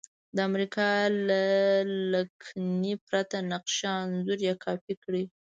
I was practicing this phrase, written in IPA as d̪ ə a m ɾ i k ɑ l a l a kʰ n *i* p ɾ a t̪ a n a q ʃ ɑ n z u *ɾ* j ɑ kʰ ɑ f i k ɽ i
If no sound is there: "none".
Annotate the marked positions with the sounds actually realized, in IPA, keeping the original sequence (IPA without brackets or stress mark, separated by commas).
i, ɾ